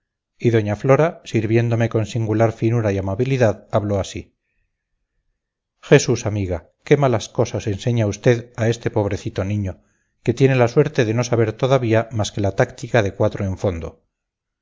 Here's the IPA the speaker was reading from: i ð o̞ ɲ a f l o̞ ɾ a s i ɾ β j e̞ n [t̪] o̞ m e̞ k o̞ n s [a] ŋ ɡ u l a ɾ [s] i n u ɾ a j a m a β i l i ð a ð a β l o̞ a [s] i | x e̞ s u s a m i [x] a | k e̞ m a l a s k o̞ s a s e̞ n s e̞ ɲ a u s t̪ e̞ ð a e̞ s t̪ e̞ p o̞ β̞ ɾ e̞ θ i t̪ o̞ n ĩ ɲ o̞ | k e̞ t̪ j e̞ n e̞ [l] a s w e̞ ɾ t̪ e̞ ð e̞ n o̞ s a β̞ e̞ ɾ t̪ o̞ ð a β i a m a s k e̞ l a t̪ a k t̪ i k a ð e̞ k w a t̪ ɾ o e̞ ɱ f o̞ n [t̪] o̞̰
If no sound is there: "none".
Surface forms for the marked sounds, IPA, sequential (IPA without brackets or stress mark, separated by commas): d̪, i, f, s, ɣ, l, d̪